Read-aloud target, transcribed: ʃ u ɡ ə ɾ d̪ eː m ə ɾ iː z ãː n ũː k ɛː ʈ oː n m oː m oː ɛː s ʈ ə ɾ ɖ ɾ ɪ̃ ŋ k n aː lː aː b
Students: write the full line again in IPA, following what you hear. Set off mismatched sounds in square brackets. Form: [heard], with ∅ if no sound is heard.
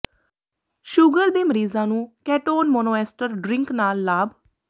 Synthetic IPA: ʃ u ɡ ə ɾ d̪ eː m ə ɾ iː z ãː n ũː k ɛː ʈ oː n m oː [n] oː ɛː s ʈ ə ɾ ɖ ɾ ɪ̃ ŋ k n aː lː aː b